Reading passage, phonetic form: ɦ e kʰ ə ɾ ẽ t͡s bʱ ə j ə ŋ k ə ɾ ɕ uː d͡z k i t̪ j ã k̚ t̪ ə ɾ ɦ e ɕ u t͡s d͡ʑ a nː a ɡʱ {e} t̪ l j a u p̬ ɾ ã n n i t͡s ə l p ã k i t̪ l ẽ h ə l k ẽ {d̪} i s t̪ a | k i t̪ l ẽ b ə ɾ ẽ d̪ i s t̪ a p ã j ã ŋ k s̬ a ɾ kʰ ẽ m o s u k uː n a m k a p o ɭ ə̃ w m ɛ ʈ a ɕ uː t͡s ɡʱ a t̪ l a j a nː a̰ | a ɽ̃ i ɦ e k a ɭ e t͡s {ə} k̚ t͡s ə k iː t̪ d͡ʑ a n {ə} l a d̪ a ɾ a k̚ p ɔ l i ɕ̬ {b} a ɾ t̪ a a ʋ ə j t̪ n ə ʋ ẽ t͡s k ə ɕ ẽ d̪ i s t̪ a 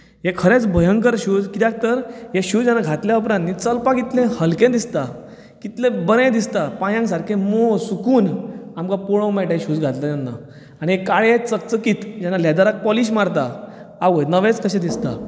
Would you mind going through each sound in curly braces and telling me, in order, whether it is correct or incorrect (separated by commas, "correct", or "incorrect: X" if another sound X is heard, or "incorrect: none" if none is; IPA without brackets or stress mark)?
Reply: incorrect: a, correct, correct, incorrect: a, incorrect: m